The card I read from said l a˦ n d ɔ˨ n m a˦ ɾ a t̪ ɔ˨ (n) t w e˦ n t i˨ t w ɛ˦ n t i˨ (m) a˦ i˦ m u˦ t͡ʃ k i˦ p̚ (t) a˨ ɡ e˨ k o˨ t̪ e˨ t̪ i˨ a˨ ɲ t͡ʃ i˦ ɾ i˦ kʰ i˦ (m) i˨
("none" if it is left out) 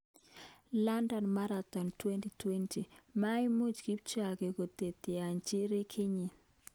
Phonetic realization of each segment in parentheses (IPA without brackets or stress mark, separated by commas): n, m, t͡ʃ, ɲ